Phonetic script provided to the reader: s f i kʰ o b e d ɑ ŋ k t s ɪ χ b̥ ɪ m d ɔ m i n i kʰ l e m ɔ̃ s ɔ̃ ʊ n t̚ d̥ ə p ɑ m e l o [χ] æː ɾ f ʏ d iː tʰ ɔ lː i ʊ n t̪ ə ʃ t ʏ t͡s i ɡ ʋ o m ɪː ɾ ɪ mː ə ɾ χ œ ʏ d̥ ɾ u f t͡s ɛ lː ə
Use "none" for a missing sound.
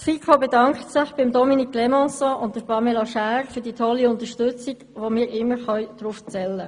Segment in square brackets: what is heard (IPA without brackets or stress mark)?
ʃ